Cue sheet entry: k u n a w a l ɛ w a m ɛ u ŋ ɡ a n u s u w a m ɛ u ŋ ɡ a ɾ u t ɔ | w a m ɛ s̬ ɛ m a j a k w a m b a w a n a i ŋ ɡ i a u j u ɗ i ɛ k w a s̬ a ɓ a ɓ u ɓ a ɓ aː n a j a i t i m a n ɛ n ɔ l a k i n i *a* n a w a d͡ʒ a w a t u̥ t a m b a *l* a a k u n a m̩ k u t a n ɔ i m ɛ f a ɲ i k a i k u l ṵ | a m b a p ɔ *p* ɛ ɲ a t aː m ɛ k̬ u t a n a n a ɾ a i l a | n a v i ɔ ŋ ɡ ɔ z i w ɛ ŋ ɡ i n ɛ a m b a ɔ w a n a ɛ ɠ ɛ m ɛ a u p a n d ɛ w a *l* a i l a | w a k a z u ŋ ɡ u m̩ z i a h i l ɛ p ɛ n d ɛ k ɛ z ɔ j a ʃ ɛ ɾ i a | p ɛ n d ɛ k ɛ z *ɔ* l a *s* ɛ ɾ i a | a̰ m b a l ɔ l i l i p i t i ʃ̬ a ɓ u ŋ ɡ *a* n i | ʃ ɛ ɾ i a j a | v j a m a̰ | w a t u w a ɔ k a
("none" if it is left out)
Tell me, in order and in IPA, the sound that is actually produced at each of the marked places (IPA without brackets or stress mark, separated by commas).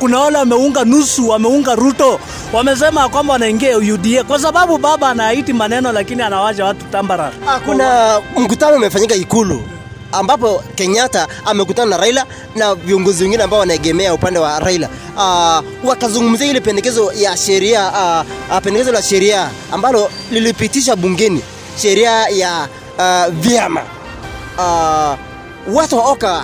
a, ɾ, k, ɾ, ɔ, ʃ, ɛ